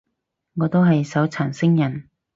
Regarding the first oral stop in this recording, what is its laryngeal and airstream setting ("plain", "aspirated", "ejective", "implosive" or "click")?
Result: plain